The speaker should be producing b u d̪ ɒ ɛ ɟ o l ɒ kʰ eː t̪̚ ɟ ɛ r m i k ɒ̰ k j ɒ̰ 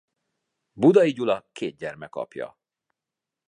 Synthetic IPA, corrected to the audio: b u d̪ ɒ i ɟ u l ɒ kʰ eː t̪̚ ɟ ɛ r m ɛ k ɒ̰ p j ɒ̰